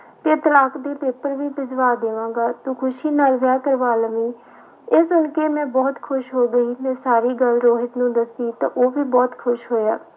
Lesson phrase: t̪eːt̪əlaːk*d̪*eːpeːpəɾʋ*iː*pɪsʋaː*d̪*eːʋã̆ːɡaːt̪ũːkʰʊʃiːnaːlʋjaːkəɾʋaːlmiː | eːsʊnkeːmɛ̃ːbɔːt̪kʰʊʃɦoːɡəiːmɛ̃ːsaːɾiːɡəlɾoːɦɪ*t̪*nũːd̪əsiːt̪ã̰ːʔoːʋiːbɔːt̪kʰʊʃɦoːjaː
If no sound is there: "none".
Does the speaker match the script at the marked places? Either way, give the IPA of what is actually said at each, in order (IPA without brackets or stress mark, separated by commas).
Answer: d̪, iː, d̪, t̪